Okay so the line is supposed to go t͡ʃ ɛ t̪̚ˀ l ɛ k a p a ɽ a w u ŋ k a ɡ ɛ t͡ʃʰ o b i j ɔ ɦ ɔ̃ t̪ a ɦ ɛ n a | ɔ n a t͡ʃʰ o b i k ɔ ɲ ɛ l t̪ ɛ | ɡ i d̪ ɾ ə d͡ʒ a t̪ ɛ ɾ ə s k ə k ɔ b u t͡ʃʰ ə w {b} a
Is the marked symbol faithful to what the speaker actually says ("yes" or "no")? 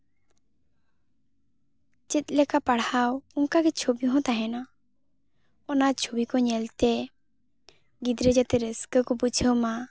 no